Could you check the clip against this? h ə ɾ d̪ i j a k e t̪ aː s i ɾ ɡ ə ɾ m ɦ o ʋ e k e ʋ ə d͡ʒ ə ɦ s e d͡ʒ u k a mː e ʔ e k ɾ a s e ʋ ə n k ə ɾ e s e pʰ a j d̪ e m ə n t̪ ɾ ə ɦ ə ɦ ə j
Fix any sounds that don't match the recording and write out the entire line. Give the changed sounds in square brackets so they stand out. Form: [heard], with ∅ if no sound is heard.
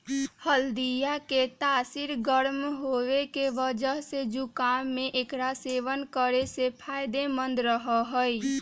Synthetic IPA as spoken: h ə [l] d̪ i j a k e t̪ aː s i ɾ ɡ ə ɾ m ɦ o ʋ e k e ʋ ə d͡ʒ ə ɦ s e d͡ʒ u k a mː e ʔ e k ɾ a s e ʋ ə n k ə ɾ e s e pʰ a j d̪ e m ə n [d̪] ɾ ə ɦ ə ɦ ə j